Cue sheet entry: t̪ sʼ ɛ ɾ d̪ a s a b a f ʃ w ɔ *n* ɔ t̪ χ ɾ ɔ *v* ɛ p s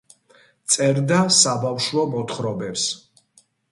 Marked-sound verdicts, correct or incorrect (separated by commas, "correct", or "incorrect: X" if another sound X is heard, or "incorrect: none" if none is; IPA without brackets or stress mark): incorrect: m, incorrect: b